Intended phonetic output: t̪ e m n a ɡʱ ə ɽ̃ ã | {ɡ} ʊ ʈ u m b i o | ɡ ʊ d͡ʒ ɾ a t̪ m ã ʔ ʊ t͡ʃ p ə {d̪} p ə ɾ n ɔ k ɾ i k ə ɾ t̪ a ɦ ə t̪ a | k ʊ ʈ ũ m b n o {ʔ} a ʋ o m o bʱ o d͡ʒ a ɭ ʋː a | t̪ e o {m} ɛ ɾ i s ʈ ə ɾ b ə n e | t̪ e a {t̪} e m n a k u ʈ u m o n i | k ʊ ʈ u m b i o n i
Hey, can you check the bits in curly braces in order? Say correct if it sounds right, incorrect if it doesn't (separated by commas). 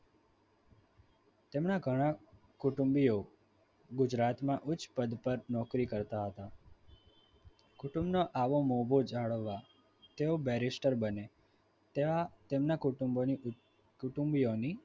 incorrect, correct, correct, incorrect, correct